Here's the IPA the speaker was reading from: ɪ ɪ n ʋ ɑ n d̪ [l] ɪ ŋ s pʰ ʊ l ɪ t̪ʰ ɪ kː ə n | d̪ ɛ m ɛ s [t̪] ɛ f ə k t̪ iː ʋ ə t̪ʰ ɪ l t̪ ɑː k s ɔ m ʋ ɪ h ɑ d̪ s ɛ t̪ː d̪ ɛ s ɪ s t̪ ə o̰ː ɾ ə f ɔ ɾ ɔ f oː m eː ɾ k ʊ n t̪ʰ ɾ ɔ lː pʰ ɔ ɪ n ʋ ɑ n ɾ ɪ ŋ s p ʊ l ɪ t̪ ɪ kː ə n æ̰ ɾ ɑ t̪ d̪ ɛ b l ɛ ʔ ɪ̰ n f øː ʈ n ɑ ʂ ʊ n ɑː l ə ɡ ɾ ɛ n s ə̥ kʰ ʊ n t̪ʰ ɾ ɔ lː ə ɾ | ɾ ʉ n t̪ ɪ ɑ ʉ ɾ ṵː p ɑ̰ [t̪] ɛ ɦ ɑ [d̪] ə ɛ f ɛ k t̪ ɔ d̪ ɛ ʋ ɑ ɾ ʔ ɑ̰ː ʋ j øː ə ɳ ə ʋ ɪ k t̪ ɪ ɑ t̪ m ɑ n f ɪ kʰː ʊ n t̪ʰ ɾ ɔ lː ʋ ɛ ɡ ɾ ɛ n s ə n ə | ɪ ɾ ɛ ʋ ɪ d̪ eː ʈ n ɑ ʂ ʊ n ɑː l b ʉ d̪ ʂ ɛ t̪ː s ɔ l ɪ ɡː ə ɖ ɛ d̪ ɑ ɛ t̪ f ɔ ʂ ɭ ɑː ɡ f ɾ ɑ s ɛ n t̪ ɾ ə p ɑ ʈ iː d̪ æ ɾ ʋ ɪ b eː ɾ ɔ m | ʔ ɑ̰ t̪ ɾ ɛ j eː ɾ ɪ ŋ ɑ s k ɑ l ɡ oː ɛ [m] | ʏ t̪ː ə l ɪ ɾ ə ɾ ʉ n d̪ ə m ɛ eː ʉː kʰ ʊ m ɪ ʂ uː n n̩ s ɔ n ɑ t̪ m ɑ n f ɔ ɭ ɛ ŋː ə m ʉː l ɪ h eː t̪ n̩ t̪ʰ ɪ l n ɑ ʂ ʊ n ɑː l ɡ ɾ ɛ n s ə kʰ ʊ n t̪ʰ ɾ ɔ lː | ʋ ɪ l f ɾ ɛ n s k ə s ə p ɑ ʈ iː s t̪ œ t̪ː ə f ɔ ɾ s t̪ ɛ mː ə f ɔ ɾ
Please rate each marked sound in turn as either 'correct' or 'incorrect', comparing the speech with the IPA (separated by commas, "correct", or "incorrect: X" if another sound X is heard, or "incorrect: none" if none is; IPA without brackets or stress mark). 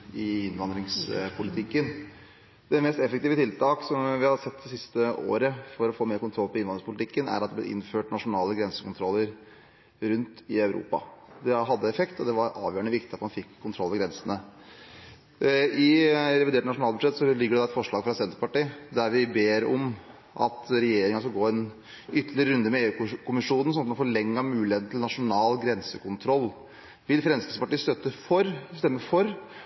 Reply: incorrect: ɾ, correct, incorrect: d̪, incorrect: d̪ː, incorrect: n